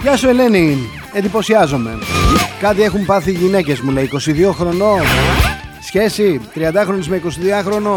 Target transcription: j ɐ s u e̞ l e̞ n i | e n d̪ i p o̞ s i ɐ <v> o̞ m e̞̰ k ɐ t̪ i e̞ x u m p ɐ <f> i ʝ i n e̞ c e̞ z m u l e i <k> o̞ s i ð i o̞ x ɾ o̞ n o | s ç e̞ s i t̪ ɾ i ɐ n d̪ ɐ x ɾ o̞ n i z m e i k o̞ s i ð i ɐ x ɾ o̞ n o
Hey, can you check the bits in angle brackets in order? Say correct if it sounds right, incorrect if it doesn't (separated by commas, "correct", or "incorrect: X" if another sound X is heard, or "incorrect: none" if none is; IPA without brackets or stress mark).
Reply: incorrect: z, incorrect: θ, correct